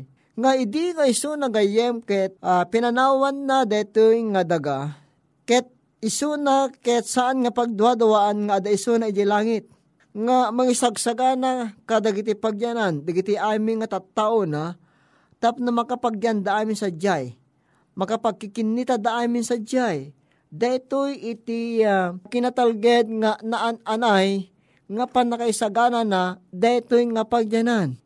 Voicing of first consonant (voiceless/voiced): voiced